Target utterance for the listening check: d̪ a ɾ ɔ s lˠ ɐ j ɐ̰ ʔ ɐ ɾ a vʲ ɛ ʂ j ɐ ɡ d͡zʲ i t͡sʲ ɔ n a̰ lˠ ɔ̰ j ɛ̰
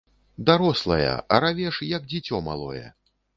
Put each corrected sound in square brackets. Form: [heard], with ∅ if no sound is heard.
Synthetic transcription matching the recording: d̪ a ɾ ɔ s lˠ ɐ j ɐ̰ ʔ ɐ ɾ a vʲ ɛ ʂ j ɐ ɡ d͡zʲ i t͡sʲ ɔ [m] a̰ lˠ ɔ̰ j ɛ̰

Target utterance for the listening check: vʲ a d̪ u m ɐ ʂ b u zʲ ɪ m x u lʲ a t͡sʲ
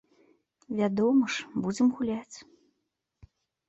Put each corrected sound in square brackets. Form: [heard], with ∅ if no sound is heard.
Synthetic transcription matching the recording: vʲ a d̪ [ɔ] m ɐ ʂ b u [d͡zʲ] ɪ m [ɣ] u lʲ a t͡sʲ

